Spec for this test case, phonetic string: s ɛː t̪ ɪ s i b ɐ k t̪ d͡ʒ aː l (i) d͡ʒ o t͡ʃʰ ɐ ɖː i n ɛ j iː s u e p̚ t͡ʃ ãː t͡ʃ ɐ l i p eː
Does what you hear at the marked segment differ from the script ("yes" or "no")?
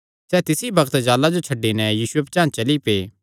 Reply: yes